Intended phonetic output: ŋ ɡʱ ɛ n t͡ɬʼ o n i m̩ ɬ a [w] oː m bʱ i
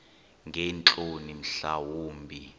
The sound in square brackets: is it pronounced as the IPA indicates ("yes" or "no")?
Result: yes